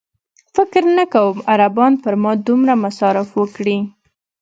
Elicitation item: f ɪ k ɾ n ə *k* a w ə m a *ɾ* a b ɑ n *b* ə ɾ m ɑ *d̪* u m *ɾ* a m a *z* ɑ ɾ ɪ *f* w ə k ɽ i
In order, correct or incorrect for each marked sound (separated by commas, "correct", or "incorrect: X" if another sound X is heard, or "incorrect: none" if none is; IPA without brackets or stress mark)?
correct, correct, incorrect: p, correct, correct, incorrect: s, correct